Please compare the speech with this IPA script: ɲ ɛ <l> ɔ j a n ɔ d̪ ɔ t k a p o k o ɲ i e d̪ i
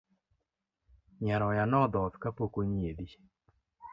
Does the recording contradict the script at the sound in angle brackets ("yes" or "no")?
yes